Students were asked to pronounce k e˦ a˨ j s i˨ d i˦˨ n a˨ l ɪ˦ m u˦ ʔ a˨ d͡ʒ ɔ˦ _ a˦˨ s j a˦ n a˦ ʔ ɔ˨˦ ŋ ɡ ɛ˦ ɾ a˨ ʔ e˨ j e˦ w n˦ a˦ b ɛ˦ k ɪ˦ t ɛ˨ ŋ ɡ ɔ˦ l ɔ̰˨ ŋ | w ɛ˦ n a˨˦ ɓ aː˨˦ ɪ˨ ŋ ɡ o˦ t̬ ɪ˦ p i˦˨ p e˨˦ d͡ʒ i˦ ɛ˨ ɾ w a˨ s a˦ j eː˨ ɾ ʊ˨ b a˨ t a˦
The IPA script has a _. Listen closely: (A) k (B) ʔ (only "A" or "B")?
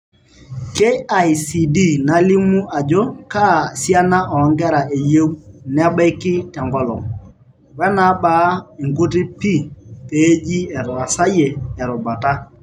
A